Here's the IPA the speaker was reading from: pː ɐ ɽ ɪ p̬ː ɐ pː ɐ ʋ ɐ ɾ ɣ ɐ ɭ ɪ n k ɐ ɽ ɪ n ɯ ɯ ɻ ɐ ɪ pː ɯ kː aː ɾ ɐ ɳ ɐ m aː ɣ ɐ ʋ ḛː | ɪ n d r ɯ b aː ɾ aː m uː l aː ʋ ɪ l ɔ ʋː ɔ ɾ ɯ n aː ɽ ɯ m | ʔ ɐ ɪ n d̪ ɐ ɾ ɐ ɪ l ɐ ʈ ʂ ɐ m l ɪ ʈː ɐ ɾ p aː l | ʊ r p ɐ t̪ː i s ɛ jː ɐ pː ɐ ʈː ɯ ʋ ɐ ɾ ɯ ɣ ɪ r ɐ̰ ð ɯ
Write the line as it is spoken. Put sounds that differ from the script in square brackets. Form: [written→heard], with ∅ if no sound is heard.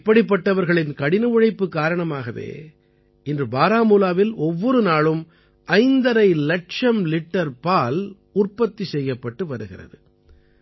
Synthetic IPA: pː ɐ ɽ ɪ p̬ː ɐ [pː→ʈː] ɐ ʋ ɐ ɾ ɣ ɐ ɭ ɪ n k ɐ ɽ ɪ n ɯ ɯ ɻ ɐ ɪ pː ɯ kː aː ɾ ɐ ɳ ɐ m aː ɣ ɐ ʋ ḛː | ɪ n d r ɯ b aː ɾ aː m uː l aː ʋ ɪ l ɔ ʋː ɔ ɾ ɯ n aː [ɽ→ɭ] ɯ m | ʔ ɐ ɪ n d̪ ɐ ɾ ɐ ɪ l ɐ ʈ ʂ ɐ m l ɪ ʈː ɐ ɾ p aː l | ʊ r p ɐ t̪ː i s ɛ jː ɐ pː ɐ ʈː ɯ ʋ ɐ ɾ ɯ ɣ ɪ r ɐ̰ ð ɯ